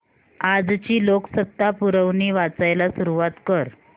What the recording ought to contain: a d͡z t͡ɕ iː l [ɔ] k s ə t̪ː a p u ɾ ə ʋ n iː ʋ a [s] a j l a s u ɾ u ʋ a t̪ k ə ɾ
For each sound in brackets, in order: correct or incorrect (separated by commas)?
incorrect, incorrect